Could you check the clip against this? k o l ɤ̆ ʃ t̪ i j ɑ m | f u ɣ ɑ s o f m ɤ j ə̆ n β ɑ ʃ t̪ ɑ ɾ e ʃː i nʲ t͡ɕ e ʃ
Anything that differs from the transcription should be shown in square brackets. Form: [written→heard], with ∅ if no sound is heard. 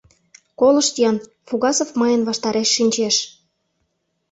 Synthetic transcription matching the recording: k o l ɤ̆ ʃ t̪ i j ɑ [m→n] | f u ɣ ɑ s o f m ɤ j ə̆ n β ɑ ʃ t̪ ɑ ɾ e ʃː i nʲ t͡ɕ e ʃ